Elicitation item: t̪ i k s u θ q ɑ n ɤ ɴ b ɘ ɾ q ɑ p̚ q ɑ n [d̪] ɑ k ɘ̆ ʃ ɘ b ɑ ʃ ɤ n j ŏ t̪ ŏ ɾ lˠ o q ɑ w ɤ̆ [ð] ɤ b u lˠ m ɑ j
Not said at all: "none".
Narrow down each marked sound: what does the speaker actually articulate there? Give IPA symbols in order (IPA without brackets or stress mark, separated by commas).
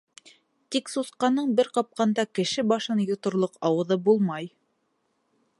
d̪, ð